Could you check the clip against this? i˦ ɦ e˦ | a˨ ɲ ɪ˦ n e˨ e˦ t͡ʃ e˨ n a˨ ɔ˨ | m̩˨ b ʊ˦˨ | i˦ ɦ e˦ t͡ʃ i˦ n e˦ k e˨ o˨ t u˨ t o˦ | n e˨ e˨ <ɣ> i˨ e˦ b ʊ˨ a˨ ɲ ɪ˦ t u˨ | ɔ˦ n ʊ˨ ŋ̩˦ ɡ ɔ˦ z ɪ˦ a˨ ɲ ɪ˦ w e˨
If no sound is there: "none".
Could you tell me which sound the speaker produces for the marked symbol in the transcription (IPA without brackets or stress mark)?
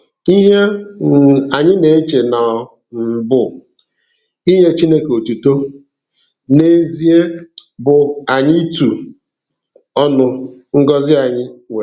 z